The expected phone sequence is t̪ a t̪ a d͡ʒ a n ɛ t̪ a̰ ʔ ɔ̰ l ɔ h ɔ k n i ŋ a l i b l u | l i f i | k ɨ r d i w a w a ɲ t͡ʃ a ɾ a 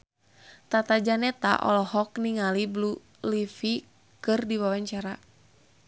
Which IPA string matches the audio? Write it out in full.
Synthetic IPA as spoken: t̪ a t̪ a d͡ʒ a n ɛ t̪ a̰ ʔ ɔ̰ l ɔ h ɔ k n i ŋ a l i b l u | l i f i | k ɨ r d i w a w a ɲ t͡ʃ a ɾ a

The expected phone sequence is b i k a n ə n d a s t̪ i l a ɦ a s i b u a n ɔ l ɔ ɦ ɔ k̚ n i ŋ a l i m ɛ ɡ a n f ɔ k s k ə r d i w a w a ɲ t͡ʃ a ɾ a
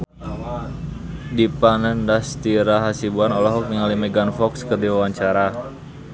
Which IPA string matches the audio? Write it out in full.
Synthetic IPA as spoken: d i p a n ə n d a s t̪ i ɾ a ɦ a s i b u a n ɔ l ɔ ɦ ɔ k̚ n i ŋ a l i m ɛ ɡ a n f ɔ k s k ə r d i w a w a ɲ t͡ʃ a ɾ a

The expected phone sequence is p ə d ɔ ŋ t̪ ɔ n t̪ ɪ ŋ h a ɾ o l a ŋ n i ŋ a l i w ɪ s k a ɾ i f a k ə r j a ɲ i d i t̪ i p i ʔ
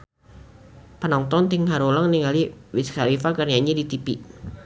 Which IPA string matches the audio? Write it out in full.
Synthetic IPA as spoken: p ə n ɔ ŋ t̪ ɔ n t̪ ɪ ŋ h a ɾ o l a ŋ n i ŋ a l i w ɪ s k a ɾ i f a k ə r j a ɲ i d i t̪ i p i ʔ

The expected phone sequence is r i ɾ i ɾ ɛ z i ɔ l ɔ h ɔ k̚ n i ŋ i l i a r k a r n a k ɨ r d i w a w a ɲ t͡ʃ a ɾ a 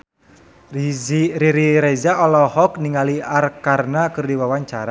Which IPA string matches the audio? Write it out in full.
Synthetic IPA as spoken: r i ɾ i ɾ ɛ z a ɔ l ɔ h ɔ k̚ n i ŋ a l i a r k a r n a k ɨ r d i w a w a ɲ t͡ʃ a ɾ a

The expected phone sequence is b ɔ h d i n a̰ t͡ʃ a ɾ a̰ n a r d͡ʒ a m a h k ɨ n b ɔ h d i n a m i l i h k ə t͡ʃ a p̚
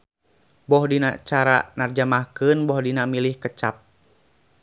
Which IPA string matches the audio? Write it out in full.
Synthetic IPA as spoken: b ɔ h d i n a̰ t͡ʃ a ɾ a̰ n a r d͡ʒ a m a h k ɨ n b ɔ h d i n a m i l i h k ə t͡ʃ a p̚

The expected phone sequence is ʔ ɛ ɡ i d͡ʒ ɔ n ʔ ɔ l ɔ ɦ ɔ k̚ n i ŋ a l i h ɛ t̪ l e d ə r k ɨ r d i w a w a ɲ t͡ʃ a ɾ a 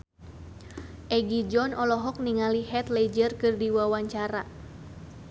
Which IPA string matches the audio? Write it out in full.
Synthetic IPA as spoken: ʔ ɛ ɡ i d͡ʒ ɔ n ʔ ɔ l ɔ ɦ ɔ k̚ n i ŋ a l i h ɛ t̪ l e d͡ʒ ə r k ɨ r d i w a w a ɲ t͡ʃ a ɾ a

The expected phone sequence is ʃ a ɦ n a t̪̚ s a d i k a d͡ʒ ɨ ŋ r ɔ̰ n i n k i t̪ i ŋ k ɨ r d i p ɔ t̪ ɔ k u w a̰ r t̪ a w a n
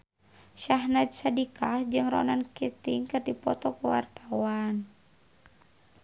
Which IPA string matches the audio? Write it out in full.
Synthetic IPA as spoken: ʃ a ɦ n a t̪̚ s a d i k a d͡ʒ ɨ ŋ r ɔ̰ n a n k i t̪ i ŋ k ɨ r d i p ɔ t̪ ɔ k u w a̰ r t̪ a w a n

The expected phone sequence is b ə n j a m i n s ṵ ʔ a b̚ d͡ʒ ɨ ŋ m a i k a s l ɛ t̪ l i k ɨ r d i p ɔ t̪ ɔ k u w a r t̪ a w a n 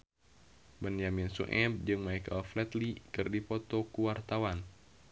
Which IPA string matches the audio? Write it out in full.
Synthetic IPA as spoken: b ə n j a m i n s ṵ ʔ ɛ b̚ d͡ʒ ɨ ŋ m a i k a f l ɛ t̪ l i k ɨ r d i p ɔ t̪ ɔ k u w a r t̪ a w a n

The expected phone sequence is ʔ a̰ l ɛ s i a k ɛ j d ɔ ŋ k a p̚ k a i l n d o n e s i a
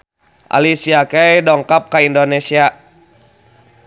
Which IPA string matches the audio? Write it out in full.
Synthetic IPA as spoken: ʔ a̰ l i s i a k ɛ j d ɔ ŋ k a p̚ k a i n d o n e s i a

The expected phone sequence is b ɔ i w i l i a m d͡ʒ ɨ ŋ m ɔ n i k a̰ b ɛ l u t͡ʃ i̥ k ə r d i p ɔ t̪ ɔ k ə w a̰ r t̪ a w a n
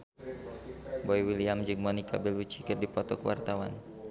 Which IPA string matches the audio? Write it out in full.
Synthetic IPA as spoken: b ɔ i w i l i a m d͡ʒ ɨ ŋ m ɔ n i k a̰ b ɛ l u t͡ʃ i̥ k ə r d i p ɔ t̪ ɔ k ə w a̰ r t̪ a w a n

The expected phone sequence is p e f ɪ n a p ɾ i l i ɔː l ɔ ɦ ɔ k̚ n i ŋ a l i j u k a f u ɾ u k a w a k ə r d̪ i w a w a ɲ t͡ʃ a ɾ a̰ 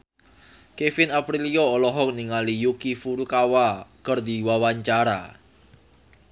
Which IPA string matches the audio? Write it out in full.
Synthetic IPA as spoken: k e f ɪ n a p ɾ i l i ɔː l ɔ ɦ ɔ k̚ n i ŋ a l i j u k i f u ɾ u k a w a k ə r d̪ i w a w a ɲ t͡ʃ a ɾ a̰

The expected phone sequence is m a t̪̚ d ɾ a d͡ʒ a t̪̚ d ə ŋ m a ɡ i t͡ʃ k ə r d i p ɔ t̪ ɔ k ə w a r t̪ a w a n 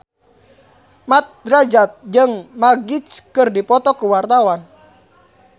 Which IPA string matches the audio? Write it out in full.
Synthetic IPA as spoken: m a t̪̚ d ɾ a d͡ʒ a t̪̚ d͡ʒ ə ŋ m a ɡ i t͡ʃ k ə r d i p ɔ t̪ ɔ k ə w a r t̪ a w a n

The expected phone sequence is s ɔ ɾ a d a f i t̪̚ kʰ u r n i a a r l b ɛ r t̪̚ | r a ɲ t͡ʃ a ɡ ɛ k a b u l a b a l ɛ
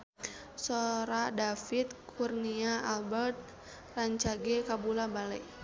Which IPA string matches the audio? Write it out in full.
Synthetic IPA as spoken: s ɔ ɾ a d a f i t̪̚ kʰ u r n i a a l b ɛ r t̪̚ | r a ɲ t͡ʃ a ɡ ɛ k a b u l a b a l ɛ

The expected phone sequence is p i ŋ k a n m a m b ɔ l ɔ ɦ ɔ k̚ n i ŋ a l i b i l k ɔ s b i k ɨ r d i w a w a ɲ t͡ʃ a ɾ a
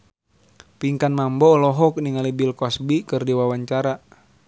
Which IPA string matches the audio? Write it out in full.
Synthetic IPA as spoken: p i ŋ k a n m a m b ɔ l ɔ ɦ ɔ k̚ n i ŋ a l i b i l k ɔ s b i k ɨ r d i w a w a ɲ t͡ʃ a ɾ a

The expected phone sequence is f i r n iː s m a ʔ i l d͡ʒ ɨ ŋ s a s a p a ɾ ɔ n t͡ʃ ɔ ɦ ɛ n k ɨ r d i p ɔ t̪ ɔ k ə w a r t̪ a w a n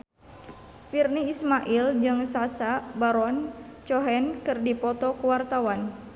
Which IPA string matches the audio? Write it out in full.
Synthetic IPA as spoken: f i r n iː s m a ʔ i l d͡ʒ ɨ ŋ s a s a b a ɾ ɔ n t͡ʃ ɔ ɦ ɛ n k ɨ r d i p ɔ t̪ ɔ k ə w a r t̪ a w a n

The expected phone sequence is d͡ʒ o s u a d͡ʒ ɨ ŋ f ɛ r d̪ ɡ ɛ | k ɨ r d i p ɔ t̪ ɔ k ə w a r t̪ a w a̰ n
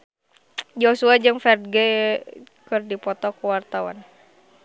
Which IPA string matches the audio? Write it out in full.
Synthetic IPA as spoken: d͡ʒ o s u a d͡ʒ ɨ ŋ f ɛ r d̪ ɡ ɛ | k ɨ r d i p ɔ t̪ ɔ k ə w a r t̪ a w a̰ n

